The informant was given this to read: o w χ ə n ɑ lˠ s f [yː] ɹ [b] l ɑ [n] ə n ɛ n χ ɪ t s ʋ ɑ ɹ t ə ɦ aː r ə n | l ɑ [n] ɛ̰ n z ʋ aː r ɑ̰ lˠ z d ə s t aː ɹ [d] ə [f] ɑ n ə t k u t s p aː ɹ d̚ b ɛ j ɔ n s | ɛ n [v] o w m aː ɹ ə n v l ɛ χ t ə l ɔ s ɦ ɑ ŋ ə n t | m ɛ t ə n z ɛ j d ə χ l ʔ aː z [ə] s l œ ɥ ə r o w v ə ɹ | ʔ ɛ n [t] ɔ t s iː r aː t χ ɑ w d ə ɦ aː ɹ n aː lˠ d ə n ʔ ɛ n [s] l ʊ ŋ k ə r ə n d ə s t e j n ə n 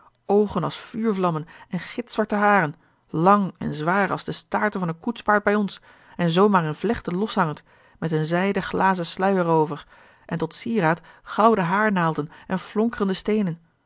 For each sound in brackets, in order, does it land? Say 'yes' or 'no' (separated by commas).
yes, no, no, no, no, no, no, yes, yes, no